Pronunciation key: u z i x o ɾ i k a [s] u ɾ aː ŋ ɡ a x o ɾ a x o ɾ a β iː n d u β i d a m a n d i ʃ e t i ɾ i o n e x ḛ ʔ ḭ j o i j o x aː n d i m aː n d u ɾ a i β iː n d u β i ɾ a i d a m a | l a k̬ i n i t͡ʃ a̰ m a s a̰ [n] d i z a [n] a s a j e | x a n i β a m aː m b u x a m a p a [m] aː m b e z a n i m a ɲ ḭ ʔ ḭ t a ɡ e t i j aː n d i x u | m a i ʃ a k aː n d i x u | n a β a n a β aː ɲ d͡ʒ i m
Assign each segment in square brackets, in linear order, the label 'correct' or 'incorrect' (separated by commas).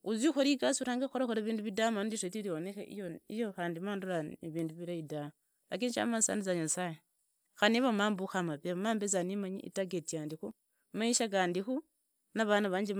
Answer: correct, correct, incorrect, correct